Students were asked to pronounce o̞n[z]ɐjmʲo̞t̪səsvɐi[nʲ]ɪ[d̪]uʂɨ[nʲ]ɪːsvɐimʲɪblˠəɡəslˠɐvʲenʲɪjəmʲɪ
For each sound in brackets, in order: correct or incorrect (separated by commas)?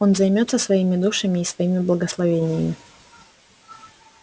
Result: correct, incorrect, correct, incorrect